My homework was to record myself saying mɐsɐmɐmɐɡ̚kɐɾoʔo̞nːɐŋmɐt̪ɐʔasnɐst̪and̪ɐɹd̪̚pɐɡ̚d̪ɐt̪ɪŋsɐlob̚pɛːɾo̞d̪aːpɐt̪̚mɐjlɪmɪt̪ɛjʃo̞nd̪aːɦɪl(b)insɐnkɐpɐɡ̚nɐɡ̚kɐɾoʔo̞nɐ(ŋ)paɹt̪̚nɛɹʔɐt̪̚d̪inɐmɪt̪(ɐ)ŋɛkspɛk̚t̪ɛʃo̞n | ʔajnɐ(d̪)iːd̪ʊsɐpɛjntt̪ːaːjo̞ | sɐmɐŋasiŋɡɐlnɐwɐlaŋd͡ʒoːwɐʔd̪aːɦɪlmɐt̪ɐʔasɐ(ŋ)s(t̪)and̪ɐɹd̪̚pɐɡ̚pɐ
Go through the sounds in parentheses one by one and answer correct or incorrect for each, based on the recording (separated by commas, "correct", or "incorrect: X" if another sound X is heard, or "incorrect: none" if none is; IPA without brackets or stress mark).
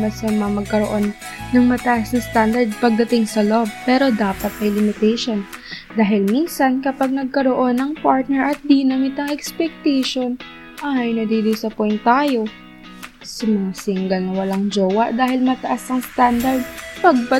incorrect: m, correct, correct, correct, correct, correct